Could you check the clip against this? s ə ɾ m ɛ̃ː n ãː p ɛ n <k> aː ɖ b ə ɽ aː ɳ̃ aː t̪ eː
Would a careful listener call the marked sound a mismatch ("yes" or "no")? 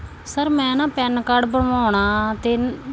no